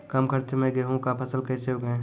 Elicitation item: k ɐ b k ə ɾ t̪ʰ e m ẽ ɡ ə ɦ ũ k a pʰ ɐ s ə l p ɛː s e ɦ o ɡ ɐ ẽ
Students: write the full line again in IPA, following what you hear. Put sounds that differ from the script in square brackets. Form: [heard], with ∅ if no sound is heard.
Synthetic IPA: k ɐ [m] k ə ɾ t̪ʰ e m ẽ ɡ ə ɦ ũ k a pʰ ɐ s ə l [k] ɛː s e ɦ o ɡ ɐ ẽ